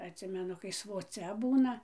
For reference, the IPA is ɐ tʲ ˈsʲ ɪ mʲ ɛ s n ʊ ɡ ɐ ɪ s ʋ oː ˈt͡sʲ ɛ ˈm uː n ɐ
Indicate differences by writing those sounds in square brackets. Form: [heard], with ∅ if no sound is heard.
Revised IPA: ɐ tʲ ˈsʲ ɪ mʲ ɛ [∅] n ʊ [k] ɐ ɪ s ʋ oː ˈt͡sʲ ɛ [ˈb] uː n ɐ